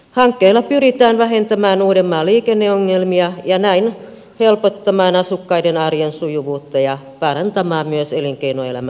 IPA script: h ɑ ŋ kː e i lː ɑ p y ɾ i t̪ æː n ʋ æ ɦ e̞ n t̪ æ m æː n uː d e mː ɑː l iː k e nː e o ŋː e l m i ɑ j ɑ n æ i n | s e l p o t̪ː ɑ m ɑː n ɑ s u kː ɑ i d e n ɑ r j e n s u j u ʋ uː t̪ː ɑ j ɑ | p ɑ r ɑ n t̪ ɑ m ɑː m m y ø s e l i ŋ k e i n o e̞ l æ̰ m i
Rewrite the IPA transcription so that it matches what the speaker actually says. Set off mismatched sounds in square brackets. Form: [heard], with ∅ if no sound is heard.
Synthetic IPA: h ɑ ŋ kː e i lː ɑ p y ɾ i t̪ æː n ʋ æ ɦ e̞ n t̪ æ m æː n uː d e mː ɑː l iː k e nː e o ŋː e l m i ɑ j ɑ n æ i n | [h] e l p o t̪ː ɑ m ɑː n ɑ s u kː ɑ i d e n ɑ r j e n s u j u ʋ uː t̪ː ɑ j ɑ | p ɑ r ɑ n t̪ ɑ m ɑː m m y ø s e l i ŋ k e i n o e̞ l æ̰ m [æ]